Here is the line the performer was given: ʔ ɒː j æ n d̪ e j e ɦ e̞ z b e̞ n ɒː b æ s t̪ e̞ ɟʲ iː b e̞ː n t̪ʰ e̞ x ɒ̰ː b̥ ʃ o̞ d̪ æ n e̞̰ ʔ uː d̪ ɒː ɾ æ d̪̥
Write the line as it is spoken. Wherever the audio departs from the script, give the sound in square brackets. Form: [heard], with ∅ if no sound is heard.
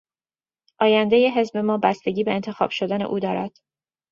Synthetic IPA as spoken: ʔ ɒː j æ n d̪ e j e ɦ e̞ z b e̞ [m] ɒː b æ s t̪ e̞ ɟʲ iː b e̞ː n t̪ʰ e̞ x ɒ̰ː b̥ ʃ o̞ d̪ æ n e̞̰ ʔ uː d̪ ɒː ɾ æ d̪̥